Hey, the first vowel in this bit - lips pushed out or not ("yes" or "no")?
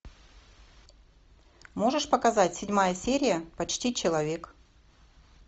yes